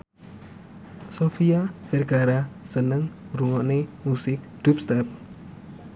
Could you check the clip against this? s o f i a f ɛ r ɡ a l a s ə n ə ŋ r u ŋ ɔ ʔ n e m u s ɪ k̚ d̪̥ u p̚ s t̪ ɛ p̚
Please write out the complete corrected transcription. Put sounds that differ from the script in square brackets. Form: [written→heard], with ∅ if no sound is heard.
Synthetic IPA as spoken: s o f i a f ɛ r ɡ a [l→ɾ] a s ə n ə ŋ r u ŋ ɔ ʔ n e m u s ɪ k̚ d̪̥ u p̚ s t̪ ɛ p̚

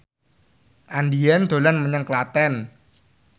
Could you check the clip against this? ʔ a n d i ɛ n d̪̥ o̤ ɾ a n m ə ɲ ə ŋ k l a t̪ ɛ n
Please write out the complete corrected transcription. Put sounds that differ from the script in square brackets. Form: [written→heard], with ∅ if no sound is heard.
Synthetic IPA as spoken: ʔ a n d i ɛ n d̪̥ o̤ [ɾ→l] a n m ə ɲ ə ŋ k l a t̪ ɛ n

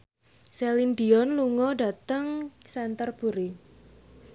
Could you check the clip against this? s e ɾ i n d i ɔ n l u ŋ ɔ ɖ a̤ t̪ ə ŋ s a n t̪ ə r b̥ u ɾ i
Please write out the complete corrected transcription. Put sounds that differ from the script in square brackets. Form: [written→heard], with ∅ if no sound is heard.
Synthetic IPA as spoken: s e [ɾ→l] i n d i ɔ n l u ŋ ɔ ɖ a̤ t̪ ə ŋ s [a→ɛ] n t̪ ə r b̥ u ɾ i

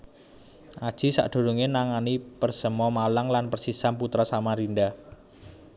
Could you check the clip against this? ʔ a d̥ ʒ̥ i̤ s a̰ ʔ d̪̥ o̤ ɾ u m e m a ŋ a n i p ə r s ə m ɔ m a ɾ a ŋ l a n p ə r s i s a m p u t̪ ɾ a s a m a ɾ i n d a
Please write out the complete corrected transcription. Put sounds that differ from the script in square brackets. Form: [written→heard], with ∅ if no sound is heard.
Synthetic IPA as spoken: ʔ a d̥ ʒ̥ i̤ s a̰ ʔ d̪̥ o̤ ɾ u [m→ŋ] e [m→n] a ŋ a n i p ə r s ə m ɔ m a [ɾ→l] a ŋ l a n p ə r s i s a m p u t̪ ɾ a s a m a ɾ i n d a

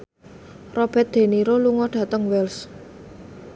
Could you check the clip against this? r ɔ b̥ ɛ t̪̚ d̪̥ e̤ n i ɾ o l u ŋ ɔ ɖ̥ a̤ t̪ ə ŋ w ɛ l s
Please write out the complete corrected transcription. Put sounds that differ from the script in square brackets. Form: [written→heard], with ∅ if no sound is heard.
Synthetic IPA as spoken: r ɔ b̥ ɛ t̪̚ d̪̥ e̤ n i ɾ o l u ŋ ɔ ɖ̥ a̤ t̪ ə ŋ w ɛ l s

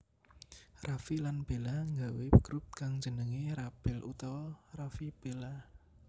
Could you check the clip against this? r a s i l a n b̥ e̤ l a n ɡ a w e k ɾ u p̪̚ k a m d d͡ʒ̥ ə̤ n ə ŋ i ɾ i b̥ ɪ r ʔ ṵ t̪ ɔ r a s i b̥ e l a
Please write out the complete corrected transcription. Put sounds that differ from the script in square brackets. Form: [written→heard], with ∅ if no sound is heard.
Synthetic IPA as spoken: r a [s→f] i l a n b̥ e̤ l a [n→ŋ] ɡ a w e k ɾ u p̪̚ k a [m→ŋ] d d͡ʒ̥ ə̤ n ə ŋ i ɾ [i→a] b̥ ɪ [r→l] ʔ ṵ t̪ ɔ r a [s→f] i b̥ e l a

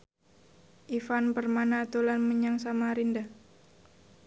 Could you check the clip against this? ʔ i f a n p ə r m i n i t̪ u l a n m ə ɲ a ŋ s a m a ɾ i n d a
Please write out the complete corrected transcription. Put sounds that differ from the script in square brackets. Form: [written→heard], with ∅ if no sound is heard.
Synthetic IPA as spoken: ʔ i f a n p ə r m [i→a] n [i→a] t̪ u l a n m ə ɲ a ŋ s a m a ɾ i n d a

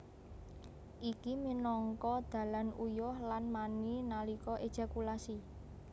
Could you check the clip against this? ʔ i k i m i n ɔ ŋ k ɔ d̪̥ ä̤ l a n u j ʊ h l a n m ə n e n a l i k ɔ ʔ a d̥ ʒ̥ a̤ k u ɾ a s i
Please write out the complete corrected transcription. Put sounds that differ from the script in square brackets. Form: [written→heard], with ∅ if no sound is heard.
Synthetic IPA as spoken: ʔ i k i m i n ɔ ŋ k ɔ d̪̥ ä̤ l a n u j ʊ h l a n m [ə→a] n [e→i] n a l i k ɔ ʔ [a→e] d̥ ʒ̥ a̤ k u [ɾ→l] a s i

